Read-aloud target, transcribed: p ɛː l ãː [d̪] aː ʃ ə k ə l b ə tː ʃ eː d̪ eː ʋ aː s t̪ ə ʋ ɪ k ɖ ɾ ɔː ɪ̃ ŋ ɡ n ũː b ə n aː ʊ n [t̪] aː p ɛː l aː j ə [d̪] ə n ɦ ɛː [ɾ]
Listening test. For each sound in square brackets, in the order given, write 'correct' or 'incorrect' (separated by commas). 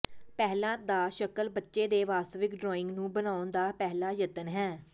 correct, incorrect, incorrect, incorrect